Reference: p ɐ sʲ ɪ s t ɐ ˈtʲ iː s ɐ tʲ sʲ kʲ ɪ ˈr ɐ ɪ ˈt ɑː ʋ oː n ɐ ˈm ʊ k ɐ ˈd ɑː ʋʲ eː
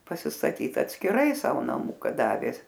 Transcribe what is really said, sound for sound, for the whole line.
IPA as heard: p ɐ sʲ ɪ s t ɐ ˈtʲ iː t ɐ tʲ sʲ kʲ ɪ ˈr ɐ ɪ ˈs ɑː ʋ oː n ɐ ˈm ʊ k ɐ ˈd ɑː ʋʲ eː

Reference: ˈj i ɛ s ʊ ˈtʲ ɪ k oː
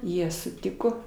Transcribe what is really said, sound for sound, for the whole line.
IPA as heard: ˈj i ɛ s ʊ ˈtʲ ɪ k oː

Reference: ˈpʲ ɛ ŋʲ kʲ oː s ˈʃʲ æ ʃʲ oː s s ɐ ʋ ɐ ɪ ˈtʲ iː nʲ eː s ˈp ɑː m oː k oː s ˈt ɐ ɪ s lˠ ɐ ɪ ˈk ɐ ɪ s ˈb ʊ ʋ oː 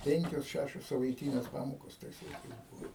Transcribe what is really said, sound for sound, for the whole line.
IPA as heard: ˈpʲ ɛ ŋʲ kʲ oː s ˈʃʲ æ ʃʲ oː s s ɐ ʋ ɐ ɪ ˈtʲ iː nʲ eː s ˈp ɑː m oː k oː s ˈt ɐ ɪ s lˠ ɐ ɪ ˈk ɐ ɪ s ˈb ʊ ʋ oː

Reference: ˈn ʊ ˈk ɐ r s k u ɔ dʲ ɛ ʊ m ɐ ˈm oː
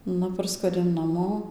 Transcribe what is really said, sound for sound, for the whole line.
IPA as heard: ˈn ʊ ˈp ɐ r s k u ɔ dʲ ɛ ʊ n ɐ ˈm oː

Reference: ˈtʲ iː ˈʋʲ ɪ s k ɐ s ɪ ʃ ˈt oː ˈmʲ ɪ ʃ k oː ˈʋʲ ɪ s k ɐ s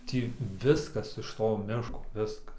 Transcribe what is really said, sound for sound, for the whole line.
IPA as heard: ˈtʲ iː ˈʋʲ ɪ s k ɐ s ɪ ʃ ˈt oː ˈmʲ ɪ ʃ k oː ˈʋʲ ɪ s k ɐ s

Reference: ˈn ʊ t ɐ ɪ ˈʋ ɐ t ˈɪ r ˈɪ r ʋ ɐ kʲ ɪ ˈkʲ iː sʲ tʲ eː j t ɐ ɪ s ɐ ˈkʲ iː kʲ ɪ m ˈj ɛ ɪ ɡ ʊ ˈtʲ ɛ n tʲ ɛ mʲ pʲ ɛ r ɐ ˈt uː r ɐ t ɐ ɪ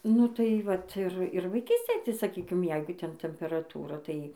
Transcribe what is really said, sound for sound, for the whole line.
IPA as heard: ˈn ʊ t ɐ ɪ ˈʋ ɐ t ˈɪ r ˈɪ r ʋ ɐ ɪ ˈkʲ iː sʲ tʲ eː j t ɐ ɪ s ɐ ˈkʲ iː kʲ ɪ m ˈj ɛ ɪ ɡ ʊ ˈtʲ ɛ n tʲ ɛ mʲ pʲ ɛ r ɐ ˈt uː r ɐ t ɐ ɪ

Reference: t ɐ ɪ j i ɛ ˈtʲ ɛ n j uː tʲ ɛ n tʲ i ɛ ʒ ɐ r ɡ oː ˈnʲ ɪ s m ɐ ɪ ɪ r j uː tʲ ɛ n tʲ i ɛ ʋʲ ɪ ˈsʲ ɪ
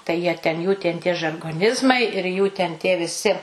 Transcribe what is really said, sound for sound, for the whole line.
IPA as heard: t ɐ ɪ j i ɛ ˈtʲ ɛ n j uː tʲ ɛ n tʲ i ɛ ʒ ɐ r ɡ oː ˈnʲ ɪ z m ɐ ɪ ɪ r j uː tʲ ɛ n tʲ i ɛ ʋʲ ɪ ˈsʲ ɪ

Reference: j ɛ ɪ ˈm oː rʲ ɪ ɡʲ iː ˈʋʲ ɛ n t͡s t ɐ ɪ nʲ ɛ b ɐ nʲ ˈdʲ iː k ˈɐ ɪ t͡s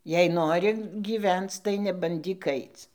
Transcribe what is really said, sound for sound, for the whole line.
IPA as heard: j ɛ ɪ ˈn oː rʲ ɪ ɡʲ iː ˈʋʲ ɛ n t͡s t ɐ ɪ nʲ ɛ b ɐ nʲ ˈdʲ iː k ˈɐ ɪ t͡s

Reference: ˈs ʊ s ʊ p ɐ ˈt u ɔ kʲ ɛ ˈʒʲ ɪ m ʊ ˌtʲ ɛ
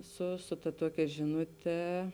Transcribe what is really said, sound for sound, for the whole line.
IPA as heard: ˈs ʊ s ʊ t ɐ ˈt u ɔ kʲ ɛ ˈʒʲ ɪ n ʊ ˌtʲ ɛ

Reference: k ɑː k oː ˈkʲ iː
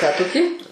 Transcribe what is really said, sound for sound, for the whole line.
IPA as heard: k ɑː t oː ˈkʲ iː

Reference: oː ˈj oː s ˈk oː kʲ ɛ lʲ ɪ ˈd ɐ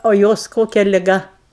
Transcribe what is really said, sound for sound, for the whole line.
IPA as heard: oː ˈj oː s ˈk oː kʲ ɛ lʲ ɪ ˈɡ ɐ

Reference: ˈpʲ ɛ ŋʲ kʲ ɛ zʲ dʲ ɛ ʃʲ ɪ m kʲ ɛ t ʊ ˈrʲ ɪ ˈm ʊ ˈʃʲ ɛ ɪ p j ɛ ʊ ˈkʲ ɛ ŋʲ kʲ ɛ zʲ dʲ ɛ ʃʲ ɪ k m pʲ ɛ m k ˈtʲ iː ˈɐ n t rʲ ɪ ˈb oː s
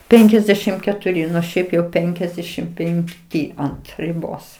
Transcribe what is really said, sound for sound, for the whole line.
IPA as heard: ˈpʲ ɛ ŋʲ kʲ ɛ zʲ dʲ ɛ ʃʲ ɪ m kʲ ɛ t ʊ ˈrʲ ɪ ˈn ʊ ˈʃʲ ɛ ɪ p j ɛ ʊ ˈpʲ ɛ ŋʲ kʲ ɛ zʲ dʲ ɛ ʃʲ ɪ m pʲ ɛ ŋ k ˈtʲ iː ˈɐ n t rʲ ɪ ˈb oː s

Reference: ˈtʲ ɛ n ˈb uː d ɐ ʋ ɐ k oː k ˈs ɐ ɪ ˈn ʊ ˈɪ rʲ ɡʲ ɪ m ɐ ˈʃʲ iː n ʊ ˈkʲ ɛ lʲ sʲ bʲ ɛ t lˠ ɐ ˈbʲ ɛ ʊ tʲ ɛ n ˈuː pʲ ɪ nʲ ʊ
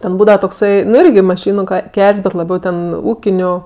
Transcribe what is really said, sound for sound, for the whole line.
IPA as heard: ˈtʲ ɛ n ˈb uː d ɐ ʋ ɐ t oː k ˈs ɐ ɪ ˈn ʊ ˈɪ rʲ ɡʲ ɪ m ɐ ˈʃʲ iː n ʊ ˈkʲ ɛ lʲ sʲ bʲ ɛ t lˠ ɐ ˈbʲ ɛ ʊ tʲ ɛ n ˈuː kʲ ɪ nʲ ʊ

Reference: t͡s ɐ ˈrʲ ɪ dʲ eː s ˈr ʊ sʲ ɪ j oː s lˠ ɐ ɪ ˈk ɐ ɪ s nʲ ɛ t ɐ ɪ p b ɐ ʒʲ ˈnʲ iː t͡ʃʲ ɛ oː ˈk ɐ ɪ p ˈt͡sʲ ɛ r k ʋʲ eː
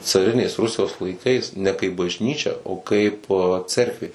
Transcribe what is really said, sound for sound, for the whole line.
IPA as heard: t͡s ɐ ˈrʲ ɪ nʲ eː s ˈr ʊ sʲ ɪ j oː s lˠ ɐ ɪ ˈk ɐ ɪ s nʲ ɛ k ɐ ɪ p b ɐ ʒʲ ˈnʲ iː t͡ʃʲ ɛ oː ˈk ɐ ɪ p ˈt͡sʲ ɛ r k ʋʲ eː

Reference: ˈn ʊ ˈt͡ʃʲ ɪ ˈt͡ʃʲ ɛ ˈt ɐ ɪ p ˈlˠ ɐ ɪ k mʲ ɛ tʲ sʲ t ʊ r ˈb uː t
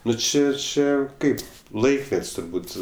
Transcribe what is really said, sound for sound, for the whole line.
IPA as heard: ˈn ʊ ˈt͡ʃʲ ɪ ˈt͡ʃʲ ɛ ˈk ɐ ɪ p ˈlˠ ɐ ɪ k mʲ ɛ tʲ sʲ t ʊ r ˈb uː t

